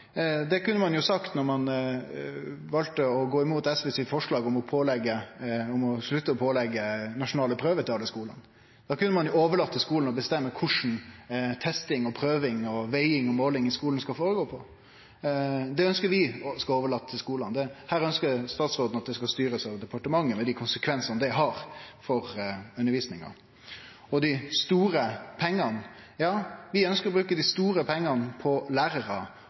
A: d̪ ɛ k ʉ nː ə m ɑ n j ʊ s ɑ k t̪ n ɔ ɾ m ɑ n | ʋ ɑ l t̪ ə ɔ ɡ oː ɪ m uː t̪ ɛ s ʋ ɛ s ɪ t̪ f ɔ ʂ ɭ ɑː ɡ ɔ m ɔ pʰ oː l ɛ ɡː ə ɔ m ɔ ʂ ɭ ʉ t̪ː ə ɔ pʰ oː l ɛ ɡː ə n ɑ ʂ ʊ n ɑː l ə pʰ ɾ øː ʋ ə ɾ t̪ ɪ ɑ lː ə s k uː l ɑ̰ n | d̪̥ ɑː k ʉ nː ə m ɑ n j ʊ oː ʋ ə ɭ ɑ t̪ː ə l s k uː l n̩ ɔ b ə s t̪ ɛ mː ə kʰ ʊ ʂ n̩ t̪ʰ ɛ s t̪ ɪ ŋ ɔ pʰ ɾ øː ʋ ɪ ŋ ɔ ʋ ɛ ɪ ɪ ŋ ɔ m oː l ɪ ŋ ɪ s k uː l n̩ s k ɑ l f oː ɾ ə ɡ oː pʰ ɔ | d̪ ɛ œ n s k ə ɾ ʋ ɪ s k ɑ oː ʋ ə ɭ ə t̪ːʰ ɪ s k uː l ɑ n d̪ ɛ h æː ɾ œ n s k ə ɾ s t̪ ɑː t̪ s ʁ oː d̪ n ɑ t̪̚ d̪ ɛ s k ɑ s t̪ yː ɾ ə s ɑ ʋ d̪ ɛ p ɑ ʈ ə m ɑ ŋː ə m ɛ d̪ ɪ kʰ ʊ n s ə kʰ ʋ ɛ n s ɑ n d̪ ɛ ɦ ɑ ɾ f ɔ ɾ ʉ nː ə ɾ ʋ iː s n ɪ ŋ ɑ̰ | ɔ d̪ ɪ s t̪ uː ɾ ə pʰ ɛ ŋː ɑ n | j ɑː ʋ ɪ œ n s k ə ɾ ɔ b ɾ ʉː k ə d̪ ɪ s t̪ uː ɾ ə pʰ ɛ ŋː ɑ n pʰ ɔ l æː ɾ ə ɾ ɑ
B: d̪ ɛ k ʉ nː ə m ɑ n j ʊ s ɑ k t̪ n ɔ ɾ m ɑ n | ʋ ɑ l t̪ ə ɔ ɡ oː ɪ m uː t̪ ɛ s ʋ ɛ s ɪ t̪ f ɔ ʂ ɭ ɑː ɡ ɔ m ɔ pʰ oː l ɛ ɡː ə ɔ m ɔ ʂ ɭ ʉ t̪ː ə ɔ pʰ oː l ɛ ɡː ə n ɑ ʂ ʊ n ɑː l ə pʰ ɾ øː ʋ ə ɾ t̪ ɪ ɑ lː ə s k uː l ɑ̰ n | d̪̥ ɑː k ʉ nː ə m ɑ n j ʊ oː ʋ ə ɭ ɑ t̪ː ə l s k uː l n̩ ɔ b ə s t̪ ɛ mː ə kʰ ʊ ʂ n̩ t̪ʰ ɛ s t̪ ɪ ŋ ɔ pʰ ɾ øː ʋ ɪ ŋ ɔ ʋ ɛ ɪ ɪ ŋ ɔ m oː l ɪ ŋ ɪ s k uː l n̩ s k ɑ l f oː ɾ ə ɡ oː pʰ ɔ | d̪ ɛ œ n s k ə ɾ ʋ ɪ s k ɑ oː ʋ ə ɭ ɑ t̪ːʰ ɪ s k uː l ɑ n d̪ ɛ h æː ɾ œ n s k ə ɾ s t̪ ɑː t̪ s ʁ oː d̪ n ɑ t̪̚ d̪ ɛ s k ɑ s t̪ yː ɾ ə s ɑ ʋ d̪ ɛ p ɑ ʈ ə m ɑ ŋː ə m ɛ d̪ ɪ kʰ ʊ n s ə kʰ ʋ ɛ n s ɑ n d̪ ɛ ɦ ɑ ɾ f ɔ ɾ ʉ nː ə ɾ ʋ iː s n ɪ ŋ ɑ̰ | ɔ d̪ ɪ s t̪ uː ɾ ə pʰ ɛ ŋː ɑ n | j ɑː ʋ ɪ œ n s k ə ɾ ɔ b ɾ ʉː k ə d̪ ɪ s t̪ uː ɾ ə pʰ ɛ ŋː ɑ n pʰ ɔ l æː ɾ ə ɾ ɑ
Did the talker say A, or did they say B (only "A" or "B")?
B